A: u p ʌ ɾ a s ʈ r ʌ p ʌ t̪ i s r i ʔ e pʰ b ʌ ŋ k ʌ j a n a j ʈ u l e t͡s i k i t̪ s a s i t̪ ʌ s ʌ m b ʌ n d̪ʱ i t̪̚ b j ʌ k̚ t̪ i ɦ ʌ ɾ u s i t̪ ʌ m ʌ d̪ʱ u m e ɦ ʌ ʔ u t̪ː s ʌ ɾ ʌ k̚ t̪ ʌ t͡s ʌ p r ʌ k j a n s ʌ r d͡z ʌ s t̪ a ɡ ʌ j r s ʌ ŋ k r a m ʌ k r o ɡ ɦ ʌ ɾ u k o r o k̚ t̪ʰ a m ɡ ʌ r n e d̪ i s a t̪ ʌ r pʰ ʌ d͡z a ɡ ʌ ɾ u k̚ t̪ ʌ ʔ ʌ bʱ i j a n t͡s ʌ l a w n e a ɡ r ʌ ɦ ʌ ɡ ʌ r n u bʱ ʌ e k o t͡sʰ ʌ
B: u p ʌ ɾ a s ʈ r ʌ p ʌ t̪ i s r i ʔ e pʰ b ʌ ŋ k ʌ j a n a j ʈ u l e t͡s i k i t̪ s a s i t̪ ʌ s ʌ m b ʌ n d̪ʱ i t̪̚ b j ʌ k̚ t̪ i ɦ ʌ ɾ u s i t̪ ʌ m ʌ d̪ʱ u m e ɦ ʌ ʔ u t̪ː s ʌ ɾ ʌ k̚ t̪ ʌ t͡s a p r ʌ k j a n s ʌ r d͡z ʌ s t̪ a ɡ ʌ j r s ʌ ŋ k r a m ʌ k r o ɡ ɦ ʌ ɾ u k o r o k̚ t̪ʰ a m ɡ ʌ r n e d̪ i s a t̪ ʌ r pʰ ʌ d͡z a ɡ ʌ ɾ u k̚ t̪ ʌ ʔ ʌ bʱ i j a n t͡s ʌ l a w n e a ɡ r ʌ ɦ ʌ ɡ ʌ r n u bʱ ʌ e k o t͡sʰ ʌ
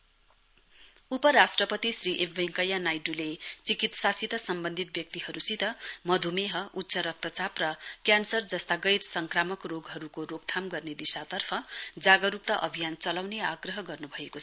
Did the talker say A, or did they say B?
B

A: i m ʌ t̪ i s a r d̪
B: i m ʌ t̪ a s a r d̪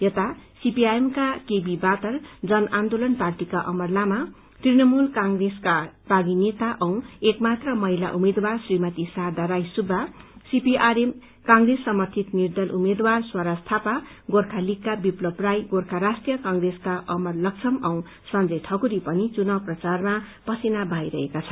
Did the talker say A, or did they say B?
A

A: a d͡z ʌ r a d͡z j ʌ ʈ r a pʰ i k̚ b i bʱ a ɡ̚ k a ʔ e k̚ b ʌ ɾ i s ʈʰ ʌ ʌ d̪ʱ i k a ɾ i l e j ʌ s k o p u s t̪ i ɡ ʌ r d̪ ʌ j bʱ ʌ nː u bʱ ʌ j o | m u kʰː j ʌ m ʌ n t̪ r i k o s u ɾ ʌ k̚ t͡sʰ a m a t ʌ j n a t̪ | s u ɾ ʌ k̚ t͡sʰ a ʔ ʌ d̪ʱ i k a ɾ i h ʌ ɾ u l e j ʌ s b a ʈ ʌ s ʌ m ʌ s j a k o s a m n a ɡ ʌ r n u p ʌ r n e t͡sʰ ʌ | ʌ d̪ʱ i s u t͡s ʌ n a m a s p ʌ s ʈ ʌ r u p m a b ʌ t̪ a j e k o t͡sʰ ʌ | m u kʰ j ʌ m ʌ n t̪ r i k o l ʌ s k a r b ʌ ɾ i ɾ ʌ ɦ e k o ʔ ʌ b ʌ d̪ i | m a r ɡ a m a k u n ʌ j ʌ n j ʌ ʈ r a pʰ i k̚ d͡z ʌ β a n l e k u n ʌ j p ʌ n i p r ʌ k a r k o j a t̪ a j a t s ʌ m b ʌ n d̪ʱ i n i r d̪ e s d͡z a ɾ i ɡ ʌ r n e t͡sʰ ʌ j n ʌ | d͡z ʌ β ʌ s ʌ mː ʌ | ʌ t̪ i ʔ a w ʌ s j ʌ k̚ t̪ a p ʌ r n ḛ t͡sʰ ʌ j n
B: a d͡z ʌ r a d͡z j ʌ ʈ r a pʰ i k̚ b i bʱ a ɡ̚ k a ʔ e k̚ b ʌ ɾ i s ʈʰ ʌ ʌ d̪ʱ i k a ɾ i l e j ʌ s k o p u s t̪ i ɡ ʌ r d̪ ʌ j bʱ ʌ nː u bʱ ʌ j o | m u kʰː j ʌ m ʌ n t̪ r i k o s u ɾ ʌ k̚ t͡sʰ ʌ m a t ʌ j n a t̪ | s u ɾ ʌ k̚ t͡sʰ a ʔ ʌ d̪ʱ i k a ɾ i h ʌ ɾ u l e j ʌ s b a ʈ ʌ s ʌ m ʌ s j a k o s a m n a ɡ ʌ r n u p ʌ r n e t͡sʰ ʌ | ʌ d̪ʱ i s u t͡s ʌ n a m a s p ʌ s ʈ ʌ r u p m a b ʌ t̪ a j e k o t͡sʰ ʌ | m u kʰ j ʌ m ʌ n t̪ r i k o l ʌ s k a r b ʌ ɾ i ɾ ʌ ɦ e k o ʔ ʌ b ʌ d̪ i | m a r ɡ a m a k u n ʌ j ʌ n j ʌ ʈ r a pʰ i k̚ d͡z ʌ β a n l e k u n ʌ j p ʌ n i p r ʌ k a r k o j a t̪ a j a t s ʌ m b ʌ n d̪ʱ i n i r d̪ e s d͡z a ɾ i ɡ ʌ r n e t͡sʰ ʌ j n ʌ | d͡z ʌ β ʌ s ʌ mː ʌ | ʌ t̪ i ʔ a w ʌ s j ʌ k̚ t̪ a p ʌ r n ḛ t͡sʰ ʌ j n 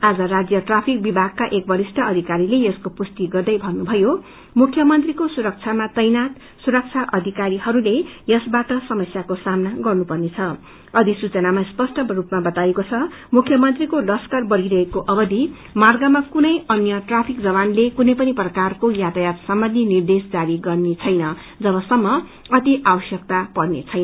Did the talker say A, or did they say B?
A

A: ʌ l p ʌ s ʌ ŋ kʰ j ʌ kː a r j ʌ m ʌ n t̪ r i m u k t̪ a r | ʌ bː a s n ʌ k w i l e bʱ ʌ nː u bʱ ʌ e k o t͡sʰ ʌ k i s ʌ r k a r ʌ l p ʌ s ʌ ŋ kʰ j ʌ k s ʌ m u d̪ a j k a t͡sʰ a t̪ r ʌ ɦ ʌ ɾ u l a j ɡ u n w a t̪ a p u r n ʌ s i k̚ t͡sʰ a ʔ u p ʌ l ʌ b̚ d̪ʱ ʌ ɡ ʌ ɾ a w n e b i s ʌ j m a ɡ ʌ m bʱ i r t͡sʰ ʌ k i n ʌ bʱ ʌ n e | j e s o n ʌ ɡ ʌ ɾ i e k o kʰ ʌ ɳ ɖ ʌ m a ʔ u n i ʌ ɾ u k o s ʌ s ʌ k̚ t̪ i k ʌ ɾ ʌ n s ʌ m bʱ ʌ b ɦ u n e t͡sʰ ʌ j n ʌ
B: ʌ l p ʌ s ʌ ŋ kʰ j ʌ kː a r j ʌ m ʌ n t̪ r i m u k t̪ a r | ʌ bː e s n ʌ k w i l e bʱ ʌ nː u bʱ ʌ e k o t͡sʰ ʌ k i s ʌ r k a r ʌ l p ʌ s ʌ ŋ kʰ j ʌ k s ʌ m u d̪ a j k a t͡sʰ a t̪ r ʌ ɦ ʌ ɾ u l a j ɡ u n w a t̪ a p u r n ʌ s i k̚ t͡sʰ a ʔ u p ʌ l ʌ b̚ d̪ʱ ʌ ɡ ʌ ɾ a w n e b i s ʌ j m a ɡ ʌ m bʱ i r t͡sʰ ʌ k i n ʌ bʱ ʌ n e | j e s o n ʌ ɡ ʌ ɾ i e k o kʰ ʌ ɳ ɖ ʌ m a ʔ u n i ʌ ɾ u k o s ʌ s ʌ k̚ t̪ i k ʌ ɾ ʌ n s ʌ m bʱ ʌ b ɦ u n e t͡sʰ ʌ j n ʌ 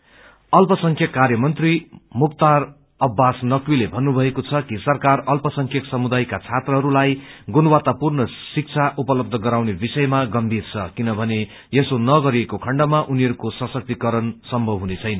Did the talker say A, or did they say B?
A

